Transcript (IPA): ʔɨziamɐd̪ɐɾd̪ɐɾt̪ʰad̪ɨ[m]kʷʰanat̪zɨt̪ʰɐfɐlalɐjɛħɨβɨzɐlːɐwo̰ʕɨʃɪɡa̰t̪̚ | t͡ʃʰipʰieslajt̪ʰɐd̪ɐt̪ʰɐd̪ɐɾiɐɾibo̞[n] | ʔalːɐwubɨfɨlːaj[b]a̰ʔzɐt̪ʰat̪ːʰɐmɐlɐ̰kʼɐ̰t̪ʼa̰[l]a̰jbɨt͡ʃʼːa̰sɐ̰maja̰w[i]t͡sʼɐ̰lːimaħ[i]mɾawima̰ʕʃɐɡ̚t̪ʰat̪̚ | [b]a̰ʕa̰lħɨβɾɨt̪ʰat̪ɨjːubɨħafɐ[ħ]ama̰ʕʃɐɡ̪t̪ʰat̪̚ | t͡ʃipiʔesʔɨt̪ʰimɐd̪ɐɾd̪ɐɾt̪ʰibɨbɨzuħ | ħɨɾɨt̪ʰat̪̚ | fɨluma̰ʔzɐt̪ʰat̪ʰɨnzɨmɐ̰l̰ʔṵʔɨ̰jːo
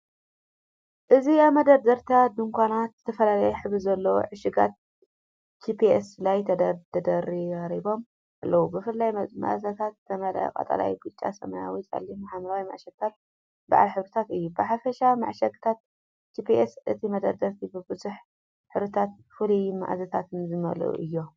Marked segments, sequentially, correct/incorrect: incorrect: ŋ, incorrect: m, incorrect: m, correct, correct, incorrect: a, correct, incorrect: ʃ

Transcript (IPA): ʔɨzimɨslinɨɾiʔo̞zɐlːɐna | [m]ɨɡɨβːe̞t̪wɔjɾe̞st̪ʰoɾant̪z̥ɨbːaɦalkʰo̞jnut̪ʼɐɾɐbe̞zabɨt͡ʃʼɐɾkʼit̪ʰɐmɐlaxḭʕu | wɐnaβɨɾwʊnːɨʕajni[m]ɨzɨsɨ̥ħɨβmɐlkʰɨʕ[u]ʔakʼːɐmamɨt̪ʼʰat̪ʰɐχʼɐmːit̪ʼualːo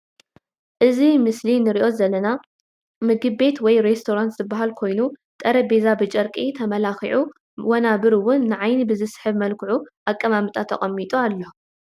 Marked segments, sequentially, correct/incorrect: correct, incorrect: b, correct

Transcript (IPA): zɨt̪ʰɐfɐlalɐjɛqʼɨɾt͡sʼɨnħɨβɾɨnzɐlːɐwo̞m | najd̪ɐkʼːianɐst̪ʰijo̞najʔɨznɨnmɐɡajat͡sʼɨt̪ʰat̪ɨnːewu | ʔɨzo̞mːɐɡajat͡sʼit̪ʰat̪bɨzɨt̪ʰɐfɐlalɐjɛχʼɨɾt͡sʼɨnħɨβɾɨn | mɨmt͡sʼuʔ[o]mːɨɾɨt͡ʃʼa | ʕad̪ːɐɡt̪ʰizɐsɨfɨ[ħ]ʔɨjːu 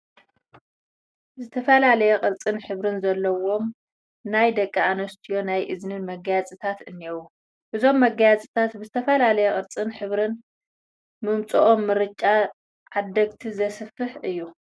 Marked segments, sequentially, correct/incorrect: correct, correct

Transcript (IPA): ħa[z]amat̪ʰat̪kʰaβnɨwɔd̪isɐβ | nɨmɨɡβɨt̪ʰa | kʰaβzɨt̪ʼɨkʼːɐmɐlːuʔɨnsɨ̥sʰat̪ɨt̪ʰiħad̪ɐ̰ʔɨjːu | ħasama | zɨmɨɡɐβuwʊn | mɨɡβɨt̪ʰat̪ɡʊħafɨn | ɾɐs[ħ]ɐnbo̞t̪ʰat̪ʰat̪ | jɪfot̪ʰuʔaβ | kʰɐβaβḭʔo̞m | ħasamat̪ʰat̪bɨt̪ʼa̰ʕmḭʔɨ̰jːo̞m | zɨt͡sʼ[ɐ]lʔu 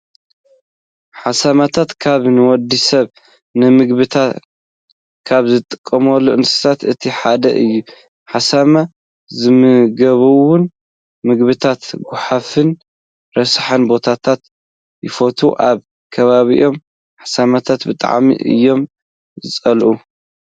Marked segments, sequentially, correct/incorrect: incorrect: s, correct, correct

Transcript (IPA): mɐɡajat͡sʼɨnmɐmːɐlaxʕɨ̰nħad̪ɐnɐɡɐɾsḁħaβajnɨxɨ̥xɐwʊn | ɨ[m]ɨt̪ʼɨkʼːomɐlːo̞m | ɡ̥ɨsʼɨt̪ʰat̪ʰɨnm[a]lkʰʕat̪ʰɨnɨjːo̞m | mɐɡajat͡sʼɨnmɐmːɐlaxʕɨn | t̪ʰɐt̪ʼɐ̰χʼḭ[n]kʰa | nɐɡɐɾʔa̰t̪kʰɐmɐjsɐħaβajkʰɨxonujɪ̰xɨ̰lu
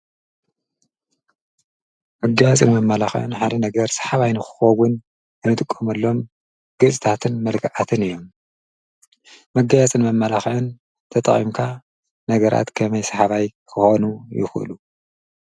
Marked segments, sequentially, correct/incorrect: incorrect: n, incorrect: ɐ, incorrect: m

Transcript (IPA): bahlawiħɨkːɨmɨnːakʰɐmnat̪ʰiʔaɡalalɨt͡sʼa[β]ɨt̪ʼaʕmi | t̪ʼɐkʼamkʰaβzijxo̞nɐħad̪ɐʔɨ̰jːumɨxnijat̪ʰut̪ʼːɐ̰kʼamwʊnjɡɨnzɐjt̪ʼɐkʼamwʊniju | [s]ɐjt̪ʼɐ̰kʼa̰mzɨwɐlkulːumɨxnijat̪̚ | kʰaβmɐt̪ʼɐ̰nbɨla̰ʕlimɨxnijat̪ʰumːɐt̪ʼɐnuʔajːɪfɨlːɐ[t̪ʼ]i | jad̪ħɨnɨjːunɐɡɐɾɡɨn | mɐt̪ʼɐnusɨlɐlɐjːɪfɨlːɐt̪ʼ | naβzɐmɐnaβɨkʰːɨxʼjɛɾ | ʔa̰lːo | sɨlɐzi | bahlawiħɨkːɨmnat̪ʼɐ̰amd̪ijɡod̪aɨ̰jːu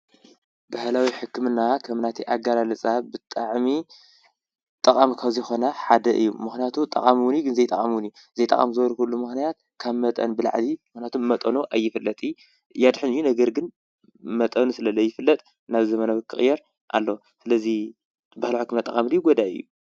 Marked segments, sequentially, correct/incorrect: incorrect: b, incorrect: z, correct

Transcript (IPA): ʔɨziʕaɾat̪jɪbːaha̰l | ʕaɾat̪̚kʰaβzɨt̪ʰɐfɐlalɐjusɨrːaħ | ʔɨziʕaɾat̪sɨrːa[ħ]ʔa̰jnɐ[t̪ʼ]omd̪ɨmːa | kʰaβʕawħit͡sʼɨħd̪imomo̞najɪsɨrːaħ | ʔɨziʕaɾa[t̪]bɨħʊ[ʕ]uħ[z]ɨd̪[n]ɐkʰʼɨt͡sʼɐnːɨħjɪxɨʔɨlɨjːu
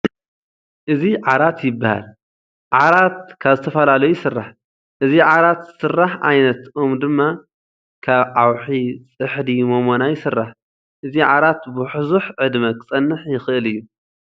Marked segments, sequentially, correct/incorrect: correct, incorrect: t̪, correct, incorrect: z, incorrect: ʕ, incorrect: m

